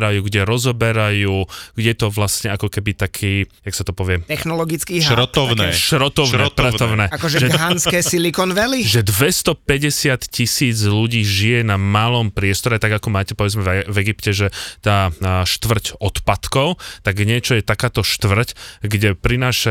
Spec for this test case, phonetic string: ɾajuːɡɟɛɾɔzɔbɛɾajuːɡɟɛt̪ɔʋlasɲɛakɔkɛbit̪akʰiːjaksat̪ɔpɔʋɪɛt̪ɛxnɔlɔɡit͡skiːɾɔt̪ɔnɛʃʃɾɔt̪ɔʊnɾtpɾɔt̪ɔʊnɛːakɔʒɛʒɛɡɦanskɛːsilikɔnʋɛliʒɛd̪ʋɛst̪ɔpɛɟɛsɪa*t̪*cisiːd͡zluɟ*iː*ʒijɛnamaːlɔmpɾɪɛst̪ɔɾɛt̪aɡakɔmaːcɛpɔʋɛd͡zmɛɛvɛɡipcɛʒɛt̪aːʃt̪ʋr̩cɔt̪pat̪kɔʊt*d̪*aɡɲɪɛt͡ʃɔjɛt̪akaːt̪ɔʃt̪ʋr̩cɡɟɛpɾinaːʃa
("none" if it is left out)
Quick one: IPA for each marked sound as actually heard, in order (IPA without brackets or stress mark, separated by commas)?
t̪, iː, t̪